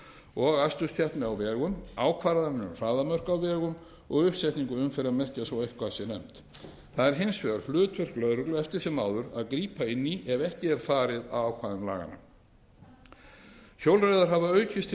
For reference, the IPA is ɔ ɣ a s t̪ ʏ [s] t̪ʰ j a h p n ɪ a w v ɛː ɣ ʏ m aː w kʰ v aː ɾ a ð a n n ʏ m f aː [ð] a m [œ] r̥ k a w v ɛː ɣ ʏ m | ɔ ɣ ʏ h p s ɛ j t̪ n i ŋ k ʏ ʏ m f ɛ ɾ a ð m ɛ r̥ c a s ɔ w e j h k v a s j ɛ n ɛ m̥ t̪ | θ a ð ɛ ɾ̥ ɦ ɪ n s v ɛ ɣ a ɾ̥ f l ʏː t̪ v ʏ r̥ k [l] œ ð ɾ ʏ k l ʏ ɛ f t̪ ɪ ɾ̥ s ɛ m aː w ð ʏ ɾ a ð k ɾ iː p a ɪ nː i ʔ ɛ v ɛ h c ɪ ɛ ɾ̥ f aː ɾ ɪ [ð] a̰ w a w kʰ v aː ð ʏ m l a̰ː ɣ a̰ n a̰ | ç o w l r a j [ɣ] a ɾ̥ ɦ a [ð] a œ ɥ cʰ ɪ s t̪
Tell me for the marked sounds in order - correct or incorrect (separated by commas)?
correct, correct, correct, correct, correct, incorrect, incorrect